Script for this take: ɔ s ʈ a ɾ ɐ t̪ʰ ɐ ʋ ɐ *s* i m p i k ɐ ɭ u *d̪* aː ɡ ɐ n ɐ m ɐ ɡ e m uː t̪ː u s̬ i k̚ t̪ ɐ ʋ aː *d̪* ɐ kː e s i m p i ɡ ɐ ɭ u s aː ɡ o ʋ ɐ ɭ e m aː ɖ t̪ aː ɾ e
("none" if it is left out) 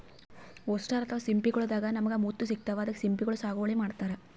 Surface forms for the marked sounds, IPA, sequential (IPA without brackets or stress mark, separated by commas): s, d̪, d̪